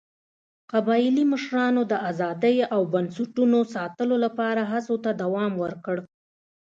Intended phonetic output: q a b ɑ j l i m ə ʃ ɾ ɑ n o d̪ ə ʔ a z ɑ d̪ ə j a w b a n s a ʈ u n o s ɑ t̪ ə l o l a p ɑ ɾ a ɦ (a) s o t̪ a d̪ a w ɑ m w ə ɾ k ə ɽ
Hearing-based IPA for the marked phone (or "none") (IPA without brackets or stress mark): a